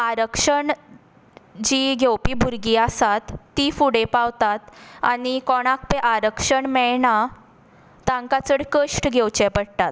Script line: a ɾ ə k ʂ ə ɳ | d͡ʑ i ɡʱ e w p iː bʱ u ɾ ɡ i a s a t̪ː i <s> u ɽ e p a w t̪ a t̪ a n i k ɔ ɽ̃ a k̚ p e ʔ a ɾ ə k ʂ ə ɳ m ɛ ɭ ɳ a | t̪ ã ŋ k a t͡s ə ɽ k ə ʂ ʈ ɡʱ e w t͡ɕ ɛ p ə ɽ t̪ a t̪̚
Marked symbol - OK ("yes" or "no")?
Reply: no